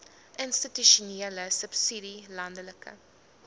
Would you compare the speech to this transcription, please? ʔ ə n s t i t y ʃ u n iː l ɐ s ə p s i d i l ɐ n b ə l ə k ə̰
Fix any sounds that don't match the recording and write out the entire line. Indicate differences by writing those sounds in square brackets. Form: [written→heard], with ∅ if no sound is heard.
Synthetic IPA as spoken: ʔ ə n s t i t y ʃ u n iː l [ɐ→ə] s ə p s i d i l ɐ n [b→d] ə l ə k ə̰